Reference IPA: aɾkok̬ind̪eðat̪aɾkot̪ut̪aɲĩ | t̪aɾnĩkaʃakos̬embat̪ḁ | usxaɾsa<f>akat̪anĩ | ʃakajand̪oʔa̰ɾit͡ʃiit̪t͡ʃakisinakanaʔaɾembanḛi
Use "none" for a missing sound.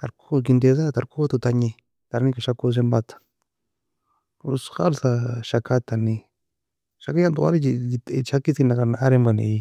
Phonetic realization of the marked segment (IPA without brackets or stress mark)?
ʃ